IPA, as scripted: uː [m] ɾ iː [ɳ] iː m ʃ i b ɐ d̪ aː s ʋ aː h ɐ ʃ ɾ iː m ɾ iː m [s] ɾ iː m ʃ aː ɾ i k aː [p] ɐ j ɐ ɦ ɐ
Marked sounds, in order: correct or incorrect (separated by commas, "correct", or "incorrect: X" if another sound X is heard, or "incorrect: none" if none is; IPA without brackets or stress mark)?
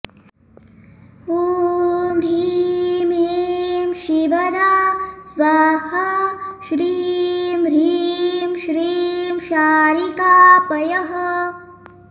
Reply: correct, incorrect: m, incorrect: ʃ, correct